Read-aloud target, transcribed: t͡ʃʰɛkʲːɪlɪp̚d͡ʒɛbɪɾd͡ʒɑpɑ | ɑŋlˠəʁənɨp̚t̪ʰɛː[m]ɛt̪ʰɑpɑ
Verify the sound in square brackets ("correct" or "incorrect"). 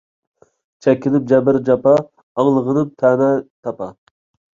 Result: incorrect